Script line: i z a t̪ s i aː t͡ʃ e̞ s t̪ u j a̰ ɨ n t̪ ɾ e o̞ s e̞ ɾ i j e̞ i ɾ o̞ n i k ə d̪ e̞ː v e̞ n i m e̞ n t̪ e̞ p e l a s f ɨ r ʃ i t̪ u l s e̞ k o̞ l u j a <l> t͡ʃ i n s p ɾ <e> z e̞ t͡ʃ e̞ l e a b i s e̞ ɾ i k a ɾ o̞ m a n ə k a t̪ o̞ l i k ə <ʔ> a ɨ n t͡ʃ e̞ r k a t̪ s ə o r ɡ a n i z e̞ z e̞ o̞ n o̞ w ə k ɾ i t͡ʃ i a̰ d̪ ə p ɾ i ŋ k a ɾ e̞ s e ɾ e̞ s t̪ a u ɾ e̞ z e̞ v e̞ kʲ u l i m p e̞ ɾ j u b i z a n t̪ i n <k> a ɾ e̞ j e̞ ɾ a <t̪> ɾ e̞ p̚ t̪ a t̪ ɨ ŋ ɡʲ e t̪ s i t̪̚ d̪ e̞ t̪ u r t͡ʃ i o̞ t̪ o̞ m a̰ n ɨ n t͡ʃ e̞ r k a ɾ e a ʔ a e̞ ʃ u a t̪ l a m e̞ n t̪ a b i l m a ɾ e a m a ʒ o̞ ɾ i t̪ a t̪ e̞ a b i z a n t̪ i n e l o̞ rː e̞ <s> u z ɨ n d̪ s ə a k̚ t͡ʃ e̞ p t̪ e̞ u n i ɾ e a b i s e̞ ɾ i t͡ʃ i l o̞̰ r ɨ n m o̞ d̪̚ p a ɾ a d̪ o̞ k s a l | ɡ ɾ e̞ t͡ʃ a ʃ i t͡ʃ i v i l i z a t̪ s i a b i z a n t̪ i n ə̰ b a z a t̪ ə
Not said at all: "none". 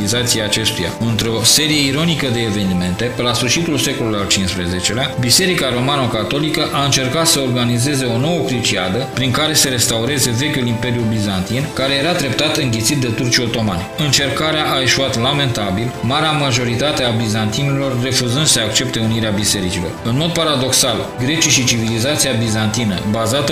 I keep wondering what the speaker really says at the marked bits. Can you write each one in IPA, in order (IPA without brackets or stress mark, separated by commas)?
l, e, ʔ, k, d̪, f